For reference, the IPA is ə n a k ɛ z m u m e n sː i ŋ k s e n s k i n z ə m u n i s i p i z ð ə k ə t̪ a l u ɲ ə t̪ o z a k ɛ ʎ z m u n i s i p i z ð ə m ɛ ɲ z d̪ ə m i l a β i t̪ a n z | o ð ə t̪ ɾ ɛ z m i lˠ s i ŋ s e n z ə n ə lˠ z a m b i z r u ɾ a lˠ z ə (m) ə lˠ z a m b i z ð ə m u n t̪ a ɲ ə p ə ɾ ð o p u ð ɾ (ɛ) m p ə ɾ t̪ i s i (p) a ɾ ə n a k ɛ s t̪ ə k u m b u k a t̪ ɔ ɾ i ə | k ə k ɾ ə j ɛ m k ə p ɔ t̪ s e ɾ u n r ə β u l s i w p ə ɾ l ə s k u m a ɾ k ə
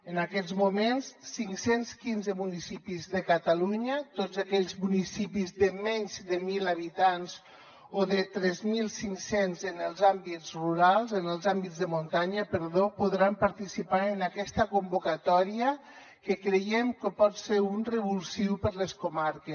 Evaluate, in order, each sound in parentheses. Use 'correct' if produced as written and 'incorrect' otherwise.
incorrect, incorrect, correct

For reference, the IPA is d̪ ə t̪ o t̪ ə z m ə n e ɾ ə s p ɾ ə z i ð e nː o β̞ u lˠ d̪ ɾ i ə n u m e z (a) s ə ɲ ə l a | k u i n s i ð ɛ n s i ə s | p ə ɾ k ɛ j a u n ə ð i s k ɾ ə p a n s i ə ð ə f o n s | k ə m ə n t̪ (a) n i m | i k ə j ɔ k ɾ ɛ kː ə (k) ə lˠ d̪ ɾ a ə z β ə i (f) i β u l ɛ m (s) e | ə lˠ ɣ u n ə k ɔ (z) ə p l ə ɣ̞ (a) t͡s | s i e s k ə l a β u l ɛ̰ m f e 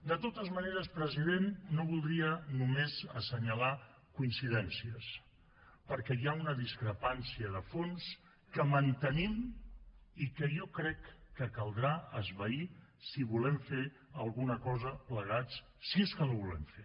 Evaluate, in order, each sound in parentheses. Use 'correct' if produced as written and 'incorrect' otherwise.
incorrect, incorrect, correct, incorrect, incorrect, correct, correct

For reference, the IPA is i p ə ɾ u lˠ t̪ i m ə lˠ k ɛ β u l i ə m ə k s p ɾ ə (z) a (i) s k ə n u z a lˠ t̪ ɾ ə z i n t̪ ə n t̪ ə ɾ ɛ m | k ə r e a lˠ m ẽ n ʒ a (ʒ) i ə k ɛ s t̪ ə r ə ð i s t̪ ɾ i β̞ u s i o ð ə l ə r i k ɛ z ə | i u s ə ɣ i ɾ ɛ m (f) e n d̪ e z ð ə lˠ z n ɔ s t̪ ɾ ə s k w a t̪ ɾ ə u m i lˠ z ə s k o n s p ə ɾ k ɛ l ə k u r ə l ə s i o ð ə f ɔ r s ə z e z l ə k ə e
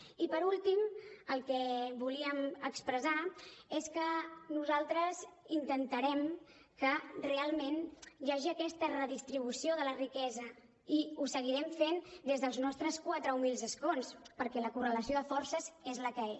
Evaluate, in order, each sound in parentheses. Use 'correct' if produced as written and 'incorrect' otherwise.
correct, incorrect, correct, correct

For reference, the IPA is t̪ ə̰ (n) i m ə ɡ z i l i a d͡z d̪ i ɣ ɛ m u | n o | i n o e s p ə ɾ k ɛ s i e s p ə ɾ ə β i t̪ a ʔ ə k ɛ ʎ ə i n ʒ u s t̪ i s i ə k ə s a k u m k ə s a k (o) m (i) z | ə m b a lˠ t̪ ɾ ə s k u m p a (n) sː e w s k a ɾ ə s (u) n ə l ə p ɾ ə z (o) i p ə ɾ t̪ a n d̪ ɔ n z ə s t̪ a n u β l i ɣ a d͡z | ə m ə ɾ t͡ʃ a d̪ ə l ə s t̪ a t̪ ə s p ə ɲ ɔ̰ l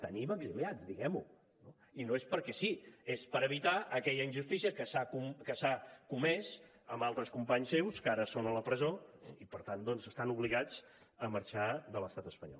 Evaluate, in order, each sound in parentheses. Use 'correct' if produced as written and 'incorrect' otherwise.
correct, incorrect, incorrect, incorrect, incorrect, correct

